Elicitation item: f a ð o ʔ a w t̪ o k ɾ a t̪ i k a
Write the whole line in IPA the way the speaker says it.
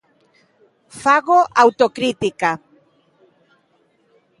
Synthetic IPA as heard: f a ɣ o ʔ a w t̪ o k ɾ i t̪ i k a